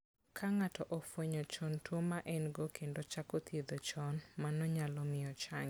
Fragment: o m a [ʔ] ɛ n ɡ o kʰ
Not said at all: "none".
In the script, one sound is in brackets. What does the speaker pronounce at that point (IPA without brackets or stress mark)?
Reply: ʔ